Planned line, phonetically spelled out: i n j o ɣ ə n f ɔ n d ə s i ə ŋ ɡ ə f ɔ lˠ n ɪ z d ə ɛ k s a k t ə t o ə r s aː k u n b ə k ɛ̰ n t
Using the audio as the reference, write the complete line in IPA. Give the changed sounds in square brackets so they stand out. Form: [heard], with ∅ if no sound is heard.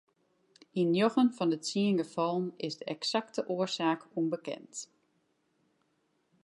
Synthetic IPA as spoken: i n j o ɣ ə n f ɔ n d ə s i ə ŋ ɡ ə f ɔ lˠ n ɪ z d ə ɛ k s a k t ə [ʔ] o ə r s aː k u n b ə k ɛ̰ n t